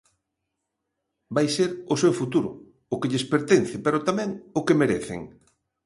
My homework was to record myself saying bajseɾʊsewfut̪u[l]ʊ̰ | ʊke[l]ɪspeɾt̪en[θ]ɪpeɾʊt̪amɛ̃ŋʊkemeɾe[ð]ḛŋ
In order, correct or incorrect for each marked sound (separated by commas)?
incorrect, incorrect, correct, incorrect